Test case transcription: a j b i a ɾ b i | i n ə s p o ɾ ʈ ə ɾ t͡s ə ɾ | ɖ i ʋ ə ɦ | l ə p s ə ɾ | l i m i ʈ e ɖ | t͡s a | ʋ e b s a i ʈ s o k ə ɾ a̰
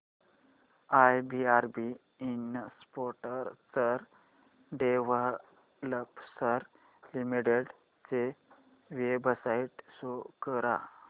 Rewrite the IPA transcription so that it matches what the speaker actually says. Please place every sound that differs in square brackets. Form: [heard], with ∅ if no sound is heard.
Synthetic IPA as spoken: a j b i a ɾ b i | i n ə s p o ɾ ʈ ə ɾ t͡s ə ɾ | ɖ [e] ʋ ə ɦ | l ə p s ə ɾ | l i m i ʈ e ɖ | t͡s [e] | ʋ e b s a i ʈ s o k ə ɾ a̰